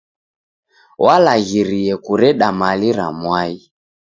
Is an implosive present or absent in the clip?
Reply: present